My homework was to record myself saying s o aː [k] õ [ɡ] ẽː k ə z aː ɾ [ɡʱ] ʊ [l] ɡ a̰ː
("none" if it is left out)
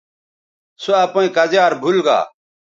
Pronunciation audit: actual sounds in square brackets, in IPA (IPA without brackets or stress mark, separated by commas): p, none, bʱ, l